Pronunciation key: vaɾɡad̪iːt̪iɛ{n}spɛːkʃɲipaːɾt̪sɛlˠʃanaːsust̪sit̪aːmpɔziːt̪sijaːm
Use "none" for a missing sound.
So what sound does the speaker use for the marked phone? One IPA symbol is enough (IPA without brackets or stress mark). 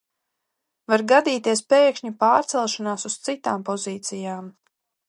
none